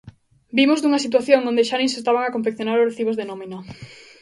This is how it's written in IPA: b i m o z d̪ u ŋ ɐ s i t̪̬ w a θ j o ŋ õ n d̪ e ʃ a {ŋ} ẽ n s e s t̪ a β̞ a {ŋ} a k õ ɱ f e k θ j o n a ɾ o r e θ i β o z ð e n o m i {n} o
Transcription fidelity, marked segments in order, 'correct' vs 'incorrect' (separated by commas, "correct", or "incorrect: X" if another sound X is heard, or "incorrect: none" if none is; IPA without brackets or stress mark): incorrect: n, correct, correct